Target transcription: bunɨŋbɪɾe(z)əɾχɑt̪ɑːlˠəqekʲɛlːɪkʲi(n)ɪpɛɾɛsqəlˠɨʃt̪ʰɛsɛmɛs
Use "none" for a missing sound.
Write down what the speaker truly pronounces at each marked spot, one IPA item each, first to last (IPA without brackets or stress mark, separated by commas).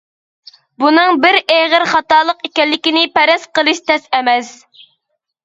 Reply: ʁ, n